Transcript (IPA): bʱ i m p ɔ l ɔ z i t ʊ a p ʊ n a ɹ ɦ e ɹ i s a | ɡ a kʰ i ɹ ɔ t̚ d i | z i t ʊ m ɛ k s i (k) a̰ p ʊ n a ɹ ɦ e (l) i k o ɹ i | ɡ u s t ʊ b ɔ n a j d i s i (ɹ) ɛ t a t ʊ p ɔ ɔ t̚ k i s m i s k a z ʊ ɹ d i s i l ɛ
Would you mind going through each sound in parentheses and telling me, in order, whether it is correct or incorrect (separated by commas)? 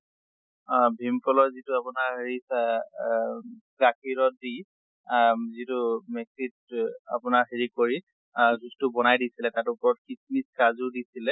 incorrect, incorrect, incorrect